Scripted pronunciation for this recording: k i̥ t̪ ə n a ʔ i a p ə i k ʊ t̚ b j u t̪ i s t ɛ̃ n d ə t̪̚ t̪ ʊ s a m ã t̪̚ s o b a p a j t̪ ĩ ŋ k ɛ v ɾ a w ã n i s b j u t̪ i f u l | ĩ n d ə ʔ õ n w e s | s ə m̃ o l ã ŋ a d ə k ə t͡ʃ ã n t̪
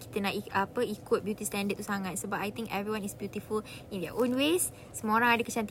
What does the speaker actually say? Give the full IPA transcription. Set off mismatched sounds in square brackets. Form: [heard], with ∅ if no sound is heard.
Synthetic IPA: k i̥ t̪ ə n a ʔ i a p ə i k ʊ t̚ b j u t̪ i s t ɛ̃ n d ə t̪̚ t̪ [u] s a [ŋ] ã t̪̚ s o b a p a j t̪ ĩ ŋ k ɛ v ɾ [i] w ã n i s b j u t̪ i f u l | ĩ n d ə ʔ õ n w e s | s ə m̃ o [ɾ] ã ŋ a d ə k ə t͡ʃ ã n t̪